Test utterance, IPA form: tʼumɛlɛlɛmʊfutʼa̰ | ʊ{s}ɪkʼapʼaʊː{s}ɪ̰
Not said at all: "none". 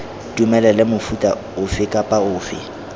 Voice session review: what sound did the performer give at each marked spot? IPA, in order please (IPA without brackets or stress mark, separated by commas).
f, f